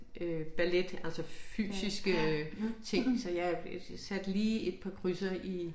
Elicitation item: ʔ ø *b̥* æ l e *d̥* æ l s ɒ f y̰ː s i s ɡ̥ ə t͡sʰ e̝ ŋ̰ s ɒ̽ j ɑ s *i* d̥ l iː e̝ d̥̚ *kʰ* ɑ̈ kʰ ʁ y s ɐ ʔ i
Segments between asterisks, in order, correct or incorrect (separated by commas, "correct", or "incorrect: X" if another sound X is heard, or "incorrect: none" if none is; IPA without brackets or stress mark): correct, correct, incorrect: æ, incorrect: pʰ